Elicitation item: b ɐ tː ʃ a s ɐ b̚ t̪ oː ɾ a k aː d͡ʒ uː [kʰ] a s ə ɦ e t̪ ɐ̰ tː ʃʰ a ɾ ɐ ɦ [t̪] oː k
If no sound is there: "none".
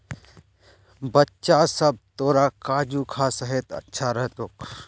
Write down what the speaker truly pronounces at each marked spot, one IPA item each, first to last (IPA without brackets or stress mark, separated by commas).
kʰ, t̪